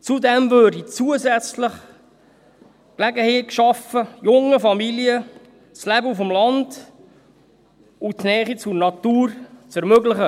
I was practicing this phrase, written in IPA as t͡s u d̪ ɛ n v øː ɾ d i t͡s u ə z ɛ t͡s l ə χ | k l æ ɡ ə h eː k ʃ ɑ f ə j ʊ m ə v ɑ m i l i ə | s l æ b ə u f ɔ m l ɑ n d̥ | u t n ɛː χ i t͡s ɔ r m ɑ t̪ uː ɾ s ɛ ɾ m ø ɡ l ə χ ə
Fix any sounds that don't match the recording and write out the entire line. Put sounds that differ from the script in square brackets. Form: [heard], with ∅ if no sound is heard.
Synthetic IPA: t͡s u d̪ ɛ [m] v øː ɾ d i t͡s u ə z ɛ t͡s l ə χ | k l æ ɡ ə h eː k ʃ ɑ f ə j ʊ [ŋ] ə [f] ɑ m i l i ə | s l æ b ə u f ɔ m l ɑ n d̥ | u t n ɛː χ i t͡s [u] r [n] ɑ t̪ uː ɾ [t͡s] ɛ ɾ m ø ɡ l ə χ ə